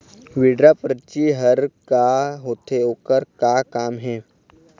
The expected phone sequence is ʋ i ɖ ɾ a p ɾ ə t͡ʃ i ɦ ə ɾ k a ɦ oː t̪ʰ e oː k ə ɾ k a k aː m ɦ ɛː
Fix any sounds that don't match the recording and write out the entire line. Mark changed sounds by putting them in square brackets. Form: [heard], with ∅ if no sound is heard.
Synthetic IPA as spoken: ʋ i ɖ ɾ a p ɾ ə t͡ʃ i ɦ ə ɾ k a ɦ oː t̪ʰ e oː k ə ɾ k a k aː m ɦ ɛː